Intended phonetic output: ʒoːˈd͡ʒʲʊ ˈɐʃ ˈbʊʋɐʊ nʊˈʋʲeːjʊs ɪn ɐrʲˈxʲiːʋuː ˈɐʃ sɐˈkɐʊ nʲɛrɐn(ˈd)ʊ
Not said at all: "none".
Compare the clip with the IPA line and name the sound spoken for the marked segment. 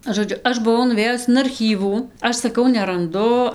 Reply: d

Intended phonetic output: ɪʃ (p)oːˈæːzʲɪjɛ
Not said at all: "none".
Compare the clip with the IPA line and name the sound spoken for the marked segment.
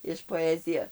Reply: p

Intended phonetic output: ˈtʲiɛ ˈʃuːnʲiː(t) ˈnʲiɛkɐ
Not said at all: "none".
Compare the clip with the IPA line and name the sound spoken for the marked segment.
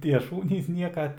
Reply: s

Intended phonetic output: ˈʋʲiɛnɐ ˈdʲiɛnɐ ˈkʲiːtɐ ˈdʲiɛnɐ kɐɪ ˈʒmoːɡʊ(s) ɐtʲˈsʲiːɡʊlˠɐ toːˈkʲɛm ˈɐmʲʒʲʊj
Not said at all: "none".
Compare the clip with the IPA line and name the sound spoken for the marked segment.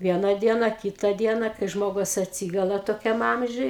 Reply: s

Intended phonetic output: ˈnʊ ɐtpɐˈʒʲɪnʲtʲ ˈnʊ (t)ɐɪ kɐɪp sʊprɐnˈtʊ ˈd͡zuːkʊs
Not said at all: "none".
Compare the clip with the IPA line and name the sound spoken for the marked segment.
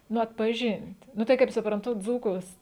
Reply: t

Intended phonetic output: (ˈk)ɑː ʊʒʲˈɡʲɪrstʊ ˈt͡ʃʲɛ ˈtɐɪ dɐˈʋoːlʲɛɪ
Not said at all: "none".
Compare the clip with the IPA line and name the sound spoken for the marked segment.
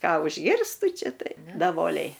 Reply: k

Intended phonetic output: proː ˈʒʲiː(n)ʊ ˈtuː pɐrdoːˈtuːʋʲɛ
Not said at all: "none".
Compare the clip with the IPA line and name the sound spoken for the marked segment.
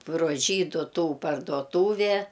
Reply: d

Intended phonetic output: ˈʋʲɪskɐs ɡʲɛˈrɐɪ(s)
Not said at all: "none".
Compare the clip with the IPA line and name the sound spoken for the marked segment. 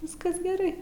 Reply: none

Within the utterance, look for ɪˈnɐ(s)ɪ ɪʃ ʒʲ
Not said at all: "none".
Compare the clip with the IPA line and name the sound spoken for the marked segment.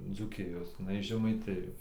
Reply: none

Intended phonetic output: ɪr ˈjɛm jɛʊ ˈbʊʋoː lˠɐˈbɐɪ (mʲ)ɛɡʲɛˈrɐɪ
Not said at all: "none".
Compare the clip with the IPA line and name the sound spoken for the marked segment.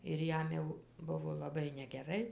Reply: nʲ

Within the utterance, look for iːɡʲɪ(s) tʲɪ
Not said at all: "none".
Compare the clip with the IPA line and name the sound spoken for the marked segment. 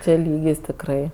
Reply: s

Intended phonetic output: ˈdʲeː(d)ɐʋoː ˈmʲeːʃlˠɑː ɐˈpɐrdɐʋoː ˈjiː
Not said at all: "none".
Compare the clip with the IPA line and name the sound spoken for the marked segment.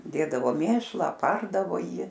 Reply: d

